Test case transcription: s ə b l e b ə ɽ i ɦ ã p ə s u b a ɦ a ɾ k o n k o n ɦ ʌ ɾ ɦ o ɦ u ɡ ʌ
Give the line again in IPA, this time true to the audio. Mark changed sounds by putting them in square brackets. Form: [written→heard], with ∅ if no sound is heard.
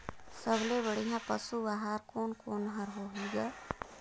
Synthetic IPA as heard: s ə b l e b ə ɽ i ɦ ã p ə s u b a ɦ a ɾ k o n k o n ɦ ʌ ɾ ɦ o ɦ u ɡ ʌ